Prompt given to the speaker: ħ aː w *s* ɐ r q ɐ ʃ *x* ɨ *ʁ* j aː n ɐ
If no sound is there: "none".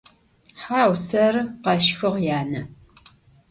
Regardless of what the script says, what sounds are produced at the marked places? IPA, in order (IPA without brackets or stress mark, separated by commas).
s, x, ʁ